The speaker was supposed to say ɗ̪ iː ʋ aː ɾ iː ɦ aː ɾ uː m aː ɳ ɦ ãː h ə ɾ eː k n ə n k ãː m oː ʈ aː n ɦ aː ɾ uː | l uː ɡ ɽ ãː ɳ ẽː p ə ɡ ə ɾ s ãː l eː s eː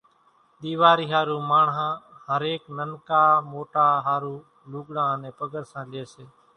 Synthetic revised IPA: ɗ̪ iː ʋ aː ɾ iː ɦ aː ɾ uː m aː ɳ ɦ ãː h ə ɾ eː k n ə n k aː m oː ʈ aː ɦ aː ɾ uː | l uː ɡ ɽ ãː n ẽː p ə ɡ ə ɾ s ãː l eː s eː